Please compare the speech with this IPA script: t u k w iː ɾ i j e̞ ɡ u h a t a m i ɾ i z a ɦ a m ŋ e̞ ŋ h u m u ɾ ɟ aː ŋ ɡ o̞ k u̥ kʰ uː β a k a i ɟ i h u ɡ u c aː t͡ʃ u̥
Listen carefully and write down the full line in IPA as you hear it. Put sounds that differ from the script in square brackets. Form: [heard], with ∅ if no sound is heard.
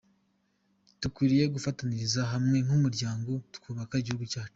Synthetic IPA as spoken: t u k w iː ɾ i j e̞ ɡ u [f] a t a [n] i ɾ i z a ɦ a m ŋ e̞ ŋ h u m u ɾ ɟ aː ŋ ɡ o̞ [t] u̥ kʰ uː β a k a i ɟ i h u ɡ u c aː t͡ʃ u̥